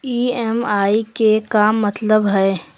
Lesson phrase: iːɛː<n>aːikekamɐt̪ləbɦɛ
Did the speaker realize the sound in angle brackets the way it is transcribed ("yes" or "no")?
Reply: no